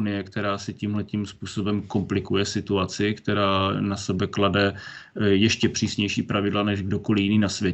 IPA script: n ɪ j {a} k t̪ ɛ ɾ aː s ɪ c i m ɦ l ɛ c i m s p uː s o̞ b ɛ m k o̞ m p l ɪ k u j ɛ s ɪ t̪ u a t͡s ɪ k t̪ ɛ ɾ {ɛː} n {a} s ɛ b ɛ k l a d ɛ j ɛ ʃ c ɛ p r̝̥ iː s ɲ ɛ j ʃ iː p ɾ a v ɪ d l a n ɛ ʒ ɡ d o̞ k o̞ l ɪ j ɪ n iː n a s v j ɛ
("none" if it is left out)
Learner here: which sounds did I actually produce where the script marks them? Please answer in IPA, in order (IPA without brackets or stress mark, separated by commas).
ɛ, aː, a